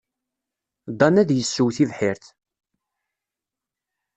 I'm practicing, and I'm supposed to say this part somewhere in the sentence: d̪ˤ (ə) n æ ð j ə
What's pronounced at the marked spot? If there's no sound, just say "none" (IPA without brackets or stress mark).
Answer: ɑ